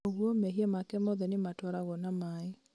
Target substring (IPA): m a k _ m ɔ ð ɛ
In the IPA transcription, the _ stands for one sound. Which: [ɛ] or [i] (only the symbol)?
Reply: ɛ